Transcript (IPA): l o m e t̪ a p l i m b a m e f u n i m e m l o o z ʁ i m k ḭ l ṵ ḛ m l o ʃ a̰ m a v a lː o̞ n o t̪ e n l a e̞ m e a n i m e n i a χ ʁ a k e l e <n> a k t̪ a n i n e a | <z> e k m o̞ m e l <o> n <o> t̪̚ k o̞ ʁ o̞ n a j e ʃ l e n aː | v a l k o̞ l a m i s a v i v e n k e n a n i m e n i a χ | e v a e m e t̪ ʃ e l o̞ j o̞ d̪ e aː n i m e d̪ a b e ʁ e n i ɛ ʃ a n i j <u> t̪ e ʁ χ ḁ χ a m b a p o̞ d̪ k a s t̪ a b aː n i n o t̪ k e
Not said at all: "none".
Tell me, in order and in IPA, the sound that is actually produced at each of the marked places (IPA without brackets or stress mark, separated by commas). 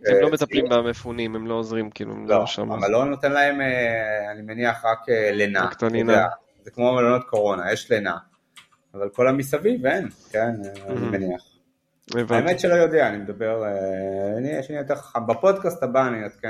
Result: n, z, o, o, o